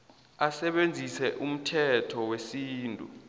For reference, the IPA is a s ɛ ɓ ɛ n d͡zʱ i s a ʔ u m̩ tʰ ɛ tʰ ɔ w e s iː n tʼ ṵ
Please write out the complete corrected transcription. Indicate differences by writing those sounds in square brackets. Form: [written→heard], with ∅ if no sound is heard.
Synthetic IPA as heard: a s ɛ ɓ [ɛ→e] n d͡zʱ i s [a→ɛ] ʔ u m̩ tʰ ɛ tʰ ɔ w e s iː n tʼ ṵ

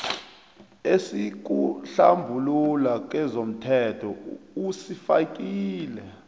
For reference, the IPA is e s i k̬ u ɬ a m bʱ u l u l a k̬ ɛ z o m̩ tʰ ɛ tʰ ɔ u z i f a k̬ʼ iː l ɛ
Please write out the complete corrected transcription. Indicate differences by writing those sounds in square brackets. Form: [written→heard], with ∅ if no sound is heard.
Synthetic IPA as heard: e s i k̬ u ɬ a m bʱ u l u l a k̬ ɛ z o m̩ tʰ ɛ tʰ ɔ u [z→s] i f a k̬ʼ iː l ɛ

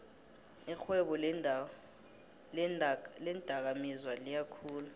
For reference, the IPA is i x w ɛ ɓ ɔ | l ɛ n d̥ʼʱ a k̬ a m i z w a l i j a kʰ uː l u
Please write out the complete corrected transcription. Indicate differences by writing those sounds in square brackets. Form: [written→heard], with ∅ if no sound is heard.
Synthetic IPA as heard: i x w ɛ ɓ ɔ | l ɛ n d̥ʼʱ a k̬ a m i z w a l i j a kʰ uː l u

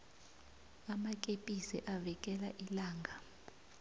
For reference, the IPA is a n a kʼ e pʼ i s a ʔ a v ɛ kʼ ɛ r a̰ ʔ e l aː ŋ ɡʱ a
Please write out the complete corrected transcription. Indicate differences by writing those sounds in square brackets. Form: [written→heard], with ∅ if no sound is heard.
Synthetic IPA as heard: a [n→m] a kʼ e pʼ i s [a→ɛ] ʔ a v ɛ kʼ ɛ [r→l] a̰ ʔ [e→i] l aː ŋ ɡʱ a

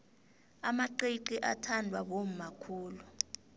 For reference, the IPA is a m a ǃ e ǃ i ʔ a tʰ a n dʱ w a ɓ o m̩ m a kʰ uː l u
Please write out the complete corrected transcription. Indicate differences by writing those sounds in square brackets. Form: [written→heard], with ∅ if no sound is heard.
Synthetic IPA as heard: a m a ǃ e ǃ i ʔ a tʰ a n dʱ w a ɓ o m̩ m a kʰ uː l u

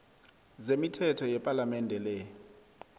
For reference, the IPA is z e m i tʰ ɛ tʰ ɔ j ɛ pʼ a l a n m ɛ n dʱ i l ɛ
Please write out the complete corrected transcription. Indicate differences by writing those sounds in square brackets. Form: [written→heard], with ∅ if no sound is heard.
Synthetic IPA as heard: z e m i tʰ ɛ tʰ ɔ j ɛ pʼ a l a [n→∅] m ɛ n dʱ [i→ɛ] l ɛ

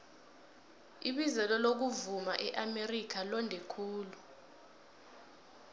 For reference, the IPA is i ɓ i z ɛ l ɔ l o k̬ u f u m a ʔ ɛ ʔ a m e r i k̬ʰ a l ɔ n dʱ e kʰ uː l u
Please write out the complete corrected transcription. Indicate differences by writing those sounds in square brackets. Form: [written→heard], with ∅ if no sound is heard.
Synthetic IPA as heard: i ɓ i z ɛ l ɔ l o k̬ u [f→v] u m a ʔ ɛ ʔ a m e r i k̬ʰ a l ɔ n dʱ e kʰ uː l u

